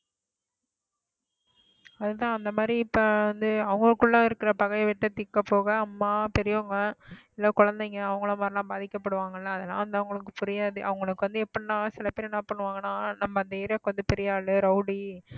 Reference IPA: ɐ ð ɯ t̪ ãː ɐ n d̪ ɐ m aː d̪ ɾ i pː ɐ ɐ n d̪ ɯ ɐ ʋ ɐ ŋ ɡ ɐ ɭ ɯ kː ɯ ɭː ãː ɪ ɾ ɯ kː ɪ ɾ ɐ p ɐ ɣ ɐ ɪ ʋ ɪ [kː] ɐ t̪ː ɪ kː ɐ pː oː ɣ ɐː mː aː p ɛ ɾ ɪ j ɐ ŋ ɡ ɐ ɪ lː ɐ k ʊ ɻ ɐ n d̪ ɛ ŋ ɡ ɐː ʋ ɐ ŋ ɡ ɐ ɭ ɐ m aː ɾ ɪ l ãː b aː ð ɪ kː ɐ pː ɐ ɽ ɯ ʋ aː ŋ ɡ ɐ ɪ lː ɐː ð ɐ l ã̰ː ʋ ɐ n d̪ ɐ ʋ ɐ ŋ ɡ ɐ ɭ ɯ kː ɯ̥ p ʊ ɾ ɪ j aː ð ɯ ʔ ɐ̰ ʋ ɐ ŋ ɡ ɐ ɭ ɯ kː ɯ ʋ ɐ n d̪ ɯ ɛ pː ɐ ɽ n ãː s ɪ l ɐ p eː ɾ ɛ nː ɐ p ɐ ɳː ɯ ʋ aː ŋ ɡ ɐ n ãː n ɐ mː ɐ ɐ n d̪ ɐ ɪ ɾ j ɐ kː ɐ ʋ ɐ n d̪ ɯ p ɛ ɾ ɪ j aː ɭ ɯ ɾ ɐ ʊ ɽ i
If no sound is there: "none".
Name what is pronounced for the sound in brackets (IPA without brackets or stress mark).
ʈː